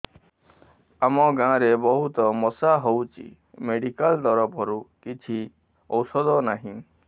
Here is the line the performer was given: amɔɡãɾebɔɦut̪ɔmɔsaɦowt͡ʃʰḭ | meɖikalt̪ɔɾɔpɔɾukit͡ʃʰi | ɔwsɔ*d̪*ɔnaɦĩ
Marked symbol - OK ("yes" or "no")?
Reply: yes